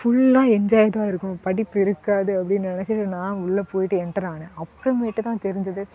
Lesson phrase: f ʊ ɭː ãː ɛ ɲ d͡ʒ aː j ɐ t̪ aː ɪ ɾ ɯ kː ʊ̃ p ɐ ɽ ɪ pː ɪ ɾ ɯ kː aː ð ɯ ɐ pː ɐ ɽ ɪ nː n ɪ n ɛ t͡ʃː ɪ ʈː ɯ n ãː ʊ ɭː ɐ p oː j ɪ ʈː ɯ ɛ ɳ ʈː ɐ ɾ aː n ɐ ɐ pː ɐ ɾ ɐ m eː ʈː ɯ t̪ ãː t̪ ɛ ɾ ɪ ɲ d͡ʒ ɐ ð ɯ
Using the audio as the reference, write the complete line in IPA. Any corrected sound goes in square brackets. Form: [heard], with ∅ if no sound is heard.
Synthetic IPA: f ʊ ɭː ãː ɛ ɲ d͡ʒ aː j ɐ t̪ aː ɪ ɾ ɯ kː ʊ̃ p ɐ ɽ ɪ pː ɪ ɾ ɯ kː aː ð ɯ ɐ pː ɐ ɽ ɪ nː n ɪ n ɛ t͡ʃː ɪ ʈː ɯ n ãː ʊ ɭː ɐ p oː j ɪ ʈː ɯ ɛ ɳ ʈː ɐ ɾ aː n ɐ ɐ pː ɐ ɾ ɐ m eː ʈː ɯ t̪ ãː t̪ ɛ ɾ ɪ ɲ d͡ʒ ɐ ð ɯ

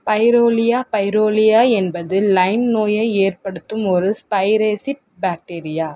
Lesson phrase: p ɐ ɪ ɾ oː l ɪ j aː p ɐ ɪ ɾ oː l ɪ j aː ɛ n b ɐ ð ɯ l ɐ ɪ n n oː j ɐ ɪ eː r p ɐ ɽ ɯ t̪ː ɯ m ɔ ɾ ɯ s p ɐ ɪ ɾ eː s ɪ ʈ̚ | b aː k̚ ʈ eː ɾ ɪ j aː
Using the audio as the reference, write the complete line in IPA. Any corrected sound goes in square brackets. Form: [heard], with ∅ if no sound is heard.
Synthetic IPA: p ɐ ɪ ɾ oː l ɪ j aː p ɐ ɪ ɾ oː l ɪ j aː ɛ n b ɐ ð ɯ l ɐ ɪ n n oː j ɐ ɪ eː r p ɐ ɽ ɯ t̪ː ɯ m ɔ ɾ ɯ s p ɐ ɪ ɾ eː s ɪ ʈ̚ | b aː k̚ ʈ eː ɾ ɪ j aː

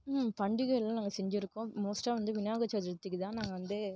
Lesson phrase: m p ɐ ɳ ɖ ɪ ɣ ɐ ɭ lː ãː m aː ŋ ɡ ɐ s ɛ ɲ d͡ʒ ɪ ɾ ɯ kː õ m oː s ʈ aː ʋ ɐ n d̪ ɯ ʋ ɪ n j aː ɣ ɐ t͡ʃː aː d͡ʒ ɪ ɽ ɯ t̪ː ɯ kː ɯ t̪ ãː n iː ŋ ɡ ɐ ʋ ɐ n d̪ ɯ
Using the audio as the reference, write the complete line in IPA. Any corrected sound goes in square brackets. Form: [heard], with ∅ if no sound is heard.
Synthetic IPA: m p ɐ ɳ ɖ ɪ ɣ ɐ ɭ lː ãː [n] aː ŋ ɡ ɐ s ɛ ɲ d͡ʒ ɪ ɾ ɯ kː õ m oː s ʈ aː ʋ ɐ n d̪ ɯ ʋ ɪ n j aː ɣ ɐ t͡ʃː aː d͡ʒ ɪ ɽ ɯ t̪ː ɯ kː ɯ t̪ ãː n [aː] ŋ ɡ ɐ ʋ ɐ n d̪ ɯ

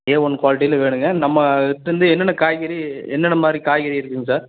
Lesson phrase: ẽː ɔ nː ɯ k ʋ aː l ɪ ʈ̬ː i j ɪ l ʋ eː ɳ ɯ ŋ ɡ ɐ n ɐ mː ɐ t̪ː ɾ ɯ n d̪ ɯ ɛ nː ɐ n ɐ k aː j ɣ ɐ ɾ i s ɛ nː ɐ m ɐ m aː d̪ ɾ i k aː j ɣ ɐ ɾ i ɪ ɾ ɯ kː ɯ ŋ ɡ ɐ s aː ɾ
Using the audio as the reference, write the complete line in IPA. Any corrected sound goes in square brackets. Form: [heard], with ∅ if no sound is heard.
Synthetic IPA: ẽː ɔ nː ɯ k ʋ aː l ɪ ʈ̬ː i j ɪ l ʋ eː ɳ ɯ ŋ ɡ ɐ n ɐ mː ɐ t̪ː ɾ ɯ n d̪ ɯ ɛ nː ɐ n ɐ k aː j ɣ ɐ ɾ i [∅] ɛ nː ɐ [n] ɐ m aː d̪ ɾ i k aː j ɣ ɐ ɾ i ɪ ɾ ɯ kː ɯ ŋ ɡ ɐ s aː ɾ

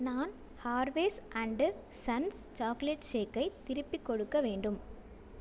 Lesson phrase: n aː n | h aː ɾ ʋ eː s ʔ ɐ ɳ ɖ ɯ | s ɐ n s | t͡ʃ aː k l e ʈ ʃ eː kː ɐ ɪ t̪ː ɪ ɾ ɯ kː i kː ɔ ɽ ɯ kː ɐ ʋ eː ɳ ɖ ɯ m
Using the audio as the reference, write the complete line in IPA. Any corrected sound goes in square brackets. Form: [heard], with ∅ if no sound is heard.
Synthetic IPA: n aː n | h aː ɾ ʋ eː s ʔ ɐ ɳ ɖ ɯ | s ɐ n s | t͡ʃ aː k l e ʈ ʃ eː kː ɐ ɪ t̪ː ɪ ɾ ɯ [pː] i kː ɔ ɽ ɯ kː ɐ ʋ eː ɳ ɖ ɯ m

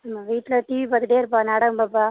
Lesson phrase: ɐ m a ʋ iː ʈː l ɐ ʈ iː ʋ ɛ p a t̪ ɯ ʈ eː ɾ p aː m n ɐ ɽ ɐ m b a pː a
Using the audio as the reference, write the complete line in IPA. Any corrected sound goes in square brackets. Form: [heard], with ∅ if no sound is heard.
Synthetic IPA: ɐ m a ʋ iː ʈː l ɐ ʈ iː ʋ [i] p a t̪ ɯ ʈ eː ɾ p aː [∅] n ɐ ɽ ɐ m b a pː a

